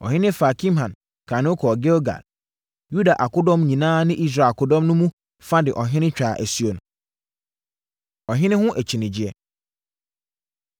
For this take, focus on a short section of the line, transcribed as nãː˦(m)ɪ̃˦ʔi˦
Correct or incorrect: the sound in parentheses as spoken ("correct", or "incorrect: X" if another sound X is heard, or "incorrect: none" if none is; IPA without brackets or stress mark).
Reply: incorrect: n